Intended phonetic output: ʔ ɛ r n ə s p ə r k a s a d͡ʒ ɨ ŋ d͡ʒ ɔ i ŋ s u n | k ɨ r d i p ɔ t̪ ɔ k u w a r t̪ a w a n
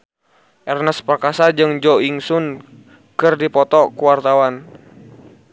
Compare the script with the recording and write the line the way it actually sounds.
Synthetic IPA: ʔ ɛ r n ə s p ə r k a s a d͡ʒ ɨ ŋ d͡ʒ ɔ i ŋ s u n | k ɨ r d i p ɔ t̪ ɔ k u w a r t̪ a w a n